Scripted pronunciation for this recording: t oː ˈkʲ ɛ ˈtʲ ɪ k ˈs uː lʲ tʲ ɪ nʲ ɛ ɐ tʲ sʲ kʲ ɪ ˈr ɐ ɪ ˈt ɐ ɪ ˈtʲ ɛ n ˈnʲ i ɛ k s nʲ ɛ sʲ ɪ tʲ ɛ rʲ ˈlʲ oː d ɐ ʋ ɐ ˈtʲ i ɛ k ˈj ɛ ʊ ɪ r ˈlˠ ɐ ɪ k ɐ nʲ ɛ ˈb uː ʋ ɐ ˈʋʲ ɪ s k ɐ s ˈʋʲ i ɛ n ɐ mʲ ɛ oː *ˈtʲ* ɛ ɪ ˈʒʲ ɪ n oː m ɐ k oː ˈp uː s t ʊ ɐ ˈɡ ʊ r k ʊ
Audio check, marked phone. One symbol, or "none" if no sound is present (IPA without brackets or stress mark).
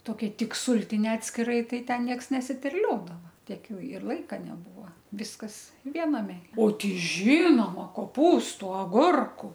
tʲ